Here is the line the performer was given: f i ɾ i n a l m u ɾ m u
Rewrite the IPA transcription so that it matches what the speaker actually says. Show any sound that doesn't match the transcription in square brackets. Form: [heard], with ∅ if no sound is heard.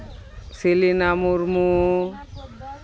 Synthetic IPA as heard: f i [l] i n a [∅] m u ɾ m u